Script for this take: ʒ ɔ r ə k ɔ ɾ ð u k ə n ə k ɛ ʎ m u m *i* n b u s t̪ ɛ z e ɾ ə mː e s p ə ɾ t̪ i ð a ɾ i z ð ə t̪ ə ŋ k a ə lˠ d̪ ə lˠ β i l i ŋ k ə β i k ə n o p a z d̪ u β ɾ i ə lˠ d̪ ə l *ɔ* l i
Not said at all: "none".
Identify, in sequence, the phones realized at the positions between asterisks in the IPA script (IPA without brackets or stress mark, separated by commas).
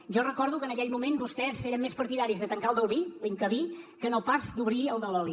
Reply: e, ɔ